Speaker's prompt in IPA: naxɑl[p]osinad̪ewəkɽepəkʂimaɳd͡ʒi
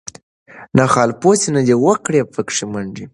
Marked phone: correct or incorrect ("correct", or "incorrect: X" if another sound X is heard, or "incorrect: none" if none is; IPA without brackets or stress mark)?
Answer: correct